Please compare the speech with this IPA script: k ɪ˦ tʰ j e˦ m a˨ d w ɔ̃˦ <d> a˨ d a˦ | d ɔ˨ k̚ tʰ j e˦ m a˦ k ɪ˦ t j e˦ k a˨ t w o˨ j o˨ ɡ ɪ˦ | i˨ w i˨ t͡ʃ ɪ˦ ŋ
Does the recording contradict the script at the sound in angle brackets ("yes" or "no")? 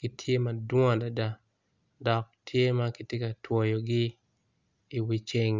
no